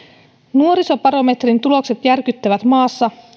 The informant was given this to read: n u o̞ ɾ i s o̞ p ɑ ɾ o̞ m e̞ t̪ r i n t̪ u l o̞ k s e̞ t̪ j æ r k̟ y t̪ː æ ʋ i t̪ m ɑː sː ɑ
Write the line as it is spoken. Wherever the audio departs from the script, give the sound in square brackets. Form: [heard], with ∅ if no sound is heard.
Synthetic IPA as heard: n u o̞ ɾ i s o̞ p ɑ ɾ o̞ m e̞ t̪ r i n t̪ u l o̞ k s e̞ t̪ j æ r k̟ y t̪ː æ ʋ [æ] t̪ m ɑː sː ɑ